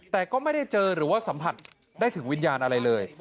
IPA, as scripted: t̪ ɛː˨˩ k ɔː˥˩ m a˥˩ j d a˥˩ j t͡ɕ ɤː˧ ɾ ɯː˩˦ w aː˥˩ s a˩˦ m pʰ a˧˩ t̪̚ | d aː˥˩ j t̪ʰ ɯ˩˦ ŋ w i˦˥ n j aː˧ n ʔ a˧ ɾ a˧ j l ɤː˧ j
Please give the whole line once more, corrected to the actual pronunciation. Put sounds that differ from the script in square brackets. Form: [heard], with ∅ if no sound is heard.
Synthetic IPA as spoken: t̪ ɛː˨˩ k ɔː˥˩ m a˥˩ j d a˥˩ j t͡ɕ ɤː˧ ɾ ɯː˩˦ w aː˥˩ s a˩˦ m pʰ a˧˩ t̪̚ | d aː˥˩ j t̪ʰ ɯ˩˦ ŋ w i˦˥ n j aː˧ n ʔ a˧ ɾ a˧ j l ɤː˧ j